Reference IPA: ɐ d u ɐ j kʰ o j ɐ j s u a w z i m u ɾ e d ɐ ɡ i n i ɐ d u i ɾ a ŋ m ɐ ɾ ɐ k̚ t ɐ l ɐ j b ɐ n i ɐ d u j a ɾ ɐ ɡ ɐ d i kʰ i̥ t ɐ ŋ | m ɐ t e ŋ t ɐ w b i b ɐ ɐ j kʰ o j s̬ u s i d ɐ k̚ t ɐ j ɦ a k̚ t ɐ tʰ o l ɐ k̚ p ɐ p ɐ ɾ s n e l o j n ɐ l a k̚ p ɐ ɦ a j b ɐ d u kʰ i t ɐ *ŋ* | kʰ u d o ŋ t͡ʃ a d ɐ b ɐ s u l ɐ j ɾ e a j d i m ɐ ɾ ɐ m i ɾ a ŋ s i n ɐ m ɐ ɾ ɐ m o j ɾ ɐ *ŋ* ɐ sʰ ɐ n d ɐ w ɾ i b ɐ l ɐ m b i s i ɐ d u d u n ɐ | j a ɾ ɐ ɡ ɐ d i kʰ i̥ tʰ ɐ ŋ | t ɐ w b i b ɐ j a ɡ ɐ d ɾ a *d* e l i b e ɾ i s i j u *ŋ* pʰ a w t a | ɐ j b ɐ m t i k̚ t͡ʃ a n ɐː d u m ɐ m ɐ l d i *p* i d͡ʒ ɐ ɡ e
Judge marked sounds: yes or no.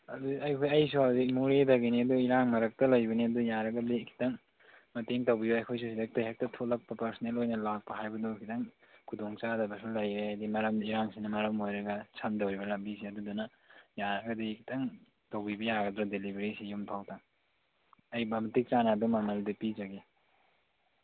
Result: yes, no, yes, no, yes

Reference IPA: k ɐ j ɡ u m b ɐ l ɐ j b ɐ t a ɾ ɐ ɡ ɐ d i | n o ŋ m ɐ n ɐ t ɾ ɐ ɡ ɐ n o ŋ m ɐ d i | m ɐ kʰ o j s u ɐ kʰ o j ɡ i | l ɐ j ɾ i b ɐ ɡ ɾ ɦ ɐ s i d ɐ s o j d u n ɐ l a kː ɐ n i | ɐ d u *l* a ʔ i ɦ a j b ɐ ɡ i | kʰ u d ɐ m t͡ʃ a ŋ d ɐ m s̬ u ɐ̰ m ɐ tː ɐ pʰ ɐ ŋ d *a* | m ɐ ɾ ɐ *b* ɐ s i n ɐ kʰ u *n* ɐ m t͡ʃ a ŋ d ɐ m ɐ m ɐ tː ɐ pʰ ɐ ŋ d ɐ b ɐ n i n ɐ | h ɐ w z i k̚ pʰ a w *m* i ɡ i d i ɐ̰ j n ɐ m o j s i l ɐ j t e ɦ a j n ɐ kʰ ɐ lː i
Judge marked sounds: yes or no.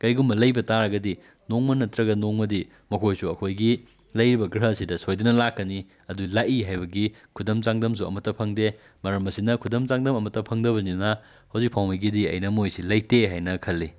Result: yes, no, no, no, yes

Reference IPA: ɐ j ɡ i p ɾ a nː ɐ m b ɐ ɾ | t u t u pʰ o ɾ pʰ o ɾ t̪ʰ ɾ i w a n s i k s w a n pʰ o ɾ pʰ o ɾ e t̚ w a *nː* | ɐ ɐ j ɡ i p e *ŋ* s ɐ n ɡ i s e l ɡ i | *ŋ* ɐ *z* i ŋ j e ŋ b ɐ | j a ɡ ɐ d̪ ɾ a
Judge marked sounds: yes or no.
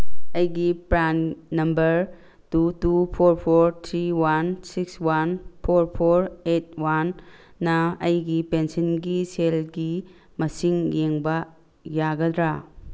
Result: yes, no, no, no

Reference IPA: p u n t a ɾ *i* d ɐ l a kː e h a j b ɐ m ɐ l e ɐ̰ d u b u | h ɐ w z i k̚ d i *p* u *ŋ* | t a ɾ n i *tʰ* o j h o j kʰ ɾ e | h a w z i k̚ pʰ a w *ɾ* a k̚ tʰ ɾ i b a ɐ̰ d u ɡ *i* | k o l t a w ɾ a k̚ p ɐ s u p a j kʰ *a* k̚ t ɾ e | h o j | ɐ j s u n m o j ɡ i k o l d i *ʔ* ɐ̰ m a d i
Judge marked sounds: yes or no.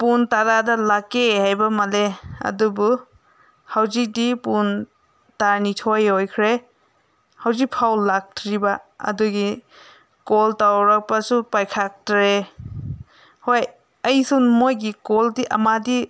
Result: no, yes, no, yes, no, yes, yes, yes

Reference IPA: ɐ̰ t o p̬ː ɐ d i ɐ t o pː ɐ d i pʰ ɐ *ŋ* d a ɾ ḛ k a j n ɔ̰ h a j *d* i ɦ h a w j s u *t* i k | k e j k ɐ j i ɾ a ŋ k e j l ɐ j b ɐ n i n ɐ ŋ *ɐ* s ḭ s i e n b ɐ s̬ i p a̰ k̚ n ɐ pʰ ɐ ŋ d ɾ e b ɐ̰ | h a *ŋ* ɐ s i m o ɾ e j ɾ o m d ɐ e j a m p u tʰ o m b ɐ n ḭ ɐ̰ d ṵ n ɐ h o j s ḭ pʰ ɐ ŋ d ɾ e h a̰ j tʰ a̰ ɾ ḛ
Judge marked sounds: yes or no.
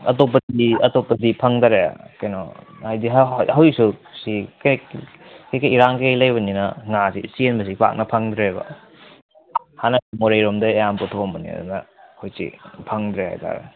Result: yes, yes, no, no, no

